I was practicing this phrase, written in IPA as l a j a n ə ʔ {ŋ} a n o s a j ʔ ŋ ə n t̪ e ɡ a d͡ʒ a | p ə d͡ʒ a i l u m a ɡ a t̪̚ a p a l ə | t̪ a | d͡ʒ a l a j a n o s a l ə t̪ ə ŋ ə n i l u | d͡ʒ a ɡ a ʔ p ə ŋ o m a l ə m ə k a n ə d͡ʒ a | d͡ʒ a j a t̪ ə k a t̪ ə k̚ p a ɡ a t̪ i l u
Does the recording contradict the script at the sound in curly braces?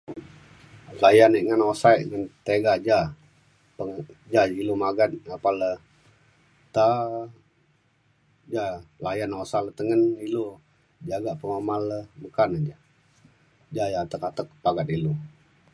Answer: no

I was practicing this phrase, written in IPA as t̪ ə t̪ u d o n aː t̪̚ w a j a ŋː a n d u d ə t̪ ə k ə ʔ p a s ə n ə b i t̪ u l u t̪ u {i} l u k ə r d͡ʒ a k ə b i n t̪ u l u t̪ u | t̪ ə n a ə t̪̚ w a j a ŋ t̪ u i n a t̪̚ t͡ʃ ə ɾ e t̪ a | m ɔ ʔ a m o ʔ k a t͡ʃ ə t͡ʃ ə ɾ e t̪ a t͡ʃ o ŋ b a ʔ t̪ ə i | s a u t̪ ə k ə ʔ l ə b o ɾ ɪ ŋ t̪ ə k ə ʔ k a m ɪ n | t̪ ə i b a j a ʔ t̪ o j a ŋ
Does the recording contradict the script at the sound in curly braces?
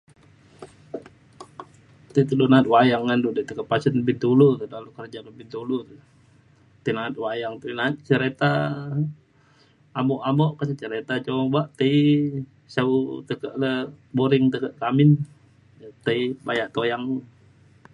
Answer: yes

